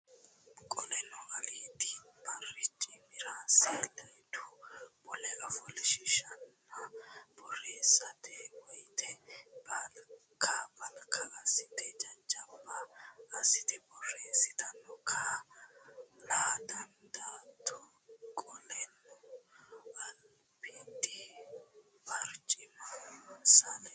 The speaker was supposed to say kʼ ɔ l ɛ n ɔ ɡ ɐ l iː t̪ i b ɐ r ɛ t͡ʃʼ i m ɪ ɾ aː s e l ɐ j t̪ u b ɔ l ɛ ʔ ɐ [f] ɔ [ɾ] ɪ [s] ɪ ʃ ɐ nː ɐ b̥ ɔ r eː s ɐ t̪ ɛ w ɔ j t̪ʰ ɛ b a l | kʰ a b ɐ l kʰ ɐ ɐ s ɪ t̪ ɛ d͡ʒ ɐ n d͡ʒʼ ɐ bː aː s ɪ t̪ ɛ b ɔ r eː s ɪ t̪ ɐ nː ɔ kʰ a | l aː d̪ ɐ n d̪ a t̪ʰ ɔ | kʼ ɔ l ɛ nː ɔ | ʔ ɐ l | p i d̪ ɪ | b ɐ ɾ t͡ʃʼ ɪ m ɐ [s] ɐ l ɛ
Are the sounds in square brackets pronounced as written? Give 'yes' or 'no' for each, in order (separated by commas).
yes, no, no, yes